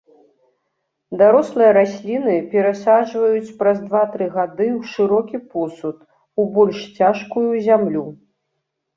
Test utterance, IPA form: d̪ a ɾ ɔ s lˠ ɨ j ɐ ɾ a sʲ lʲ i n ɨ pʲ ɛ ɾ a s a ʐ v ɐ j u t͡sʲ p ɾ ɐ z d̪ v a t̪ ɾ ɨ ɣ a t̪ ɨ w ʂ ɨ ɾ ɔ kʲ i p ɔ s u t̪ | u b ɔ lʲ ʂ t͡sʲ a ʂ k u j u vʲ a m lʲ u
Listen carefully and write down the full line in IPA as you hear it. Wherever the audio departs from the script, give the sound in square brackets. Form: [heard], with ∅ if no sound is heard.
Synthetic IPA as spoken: d̪ a ɾ ɔ s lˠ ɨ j ɐ ɾ a sʲ lʲ i n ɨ pʲ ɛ ɾ a s a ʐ v ɐ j u t͡sʲ p ɾ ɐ z d̪ v a t̪ ɾ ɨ ɣ a [d̪] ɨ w ʂ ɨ ɾ ɔ kʲ i p ɔ s u t̪ | u b ɔ lʲ ʂ t͡sʲ a ʂ k u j u [zʲ] a m lʲ u